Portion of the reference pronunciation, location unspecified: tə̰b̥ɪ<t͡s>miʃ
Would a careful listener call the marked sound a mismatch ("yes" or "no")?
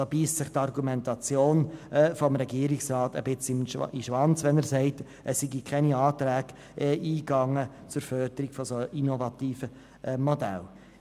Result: no